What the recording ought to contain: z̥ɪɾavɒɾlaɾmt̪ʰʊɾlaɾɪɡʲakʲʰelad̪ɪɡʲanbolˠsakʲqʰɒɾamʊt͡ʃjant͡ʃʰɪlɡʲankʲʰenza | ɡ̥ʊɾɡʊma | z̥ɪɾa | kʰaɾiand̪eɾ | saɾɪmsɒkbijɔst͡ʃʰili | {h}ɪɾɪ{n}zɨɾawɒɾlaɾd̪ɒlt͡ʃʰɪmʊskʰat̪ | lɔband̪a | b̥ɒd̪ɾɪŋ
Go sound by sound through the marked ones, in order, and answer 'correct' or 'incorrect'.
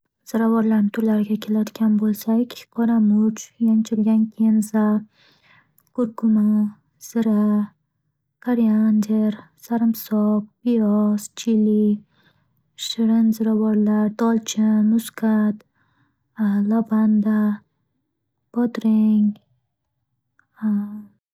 incorrect: ʃ, correct

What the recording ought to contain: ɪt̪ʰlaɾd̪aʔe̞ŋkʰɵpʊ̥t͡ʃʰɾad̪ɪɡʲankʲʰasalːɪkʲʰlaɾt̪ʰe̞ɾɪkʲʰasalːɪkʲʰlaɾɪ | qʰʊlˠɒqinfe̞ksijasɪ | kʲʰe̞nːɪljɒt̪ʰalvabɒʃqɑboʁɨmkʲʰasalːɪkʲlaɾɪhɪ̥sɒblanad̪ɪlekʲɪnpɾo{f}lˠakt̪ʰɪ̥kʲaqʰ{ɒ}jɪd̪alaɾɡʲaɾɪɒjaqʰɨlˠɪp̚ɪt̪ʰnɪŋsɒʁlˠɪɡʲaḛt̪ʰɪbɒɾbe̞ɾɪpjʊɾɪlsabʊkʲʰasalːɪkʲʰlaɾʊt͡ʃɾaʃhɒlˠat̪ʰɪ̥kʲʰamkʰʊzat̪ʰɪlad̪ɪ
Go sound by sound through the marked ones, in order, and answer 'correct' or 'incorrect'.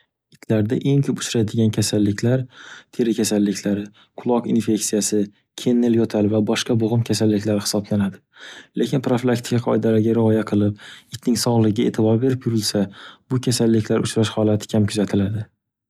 correct, correct

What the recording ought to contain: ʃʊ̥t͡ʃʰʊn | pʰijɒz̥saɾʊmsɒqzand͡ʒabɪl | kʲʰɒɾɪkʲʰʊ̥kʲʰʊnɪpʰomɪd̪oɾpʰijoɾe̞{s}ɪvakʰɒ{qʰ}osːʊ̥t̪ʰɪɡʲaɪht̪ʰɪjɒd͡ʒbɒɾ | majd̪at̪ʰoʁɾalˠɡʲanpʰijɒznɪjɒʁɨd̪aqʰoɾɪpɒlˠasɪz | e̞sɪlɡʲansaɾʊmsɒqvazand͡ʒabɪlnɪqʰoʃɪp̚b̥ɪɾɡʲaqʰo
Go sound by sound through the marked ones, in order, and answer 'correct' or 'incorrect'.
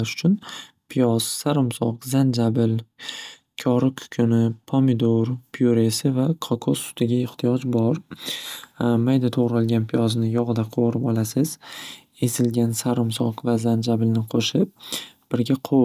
correct, incorrect: kʰ

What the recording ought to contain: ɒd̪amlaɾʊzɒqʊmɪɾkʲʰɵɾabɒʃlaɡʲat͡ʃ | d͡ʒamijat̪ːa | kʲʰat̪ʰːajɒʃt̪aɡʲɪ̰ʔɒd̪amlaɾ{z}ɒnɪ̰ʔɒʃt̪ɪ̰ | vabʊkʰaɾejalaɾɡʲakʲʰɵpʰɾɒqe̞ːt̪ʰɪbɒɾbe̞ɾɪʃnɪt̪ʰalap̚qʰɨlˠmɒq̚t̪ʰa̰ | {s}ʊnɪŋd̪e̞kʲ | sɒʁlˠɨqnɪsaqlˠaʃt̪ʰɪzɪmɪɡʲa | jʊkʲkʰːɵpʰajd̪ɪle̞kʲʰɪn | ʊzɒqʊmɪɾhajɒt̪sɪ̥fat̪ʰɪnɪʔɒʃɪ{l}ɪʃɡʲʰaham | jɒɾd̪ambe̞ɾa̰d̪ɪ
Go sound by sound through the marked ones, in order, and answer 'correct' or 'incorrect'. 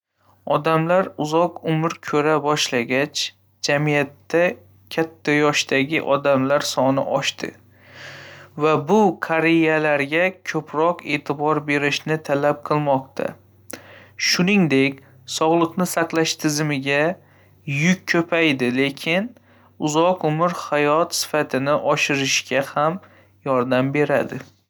incorrect: s, incorrect: ʃ, incorrect: ɾ

